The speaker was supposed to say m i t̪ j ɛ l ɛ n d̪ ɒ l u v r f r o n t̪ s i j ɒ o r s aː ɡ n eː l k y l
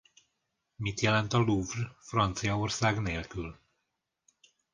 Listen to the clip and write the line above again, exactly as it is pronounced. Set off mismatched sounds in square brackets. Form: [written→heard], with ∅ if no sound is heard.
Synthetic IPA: m i t̪ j ɛ l ɛ n [d̪→t̪] ɒ l u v r f r [o→ɒ] n t̪ s i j ɒ o r s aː ɡ n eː l k y l